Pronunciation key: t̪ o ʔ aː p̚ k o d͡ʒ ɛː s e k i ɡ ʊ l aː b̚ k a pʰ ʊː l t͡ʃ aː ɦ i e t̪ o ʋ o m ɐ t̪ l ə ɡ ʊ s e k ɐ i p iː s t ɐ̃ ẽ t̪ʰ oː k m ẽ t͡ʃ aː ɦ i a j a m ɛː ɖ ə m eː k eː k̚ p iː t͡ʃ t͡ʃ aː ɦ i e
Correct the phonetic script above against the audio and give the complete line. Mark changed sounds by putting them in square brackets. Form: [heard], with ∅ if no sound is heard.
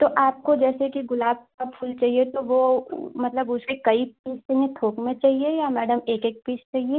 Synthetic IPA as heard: t̪ o ʔ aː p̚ k o d͡ʒ ɛː s e k i ɡ ʊ l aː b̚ k a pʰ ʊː l t͡ʃ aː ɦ i e t̪ o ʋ o m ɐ t̪ l ə [b] ʊ s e k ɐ i p iː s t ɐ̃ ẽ t̪ʰ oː k m ẽ t͡ʃ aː ɦ i [e] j a m ɛː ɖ ə m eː k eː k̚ p iː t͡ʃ t͡ʃ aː ɦ i e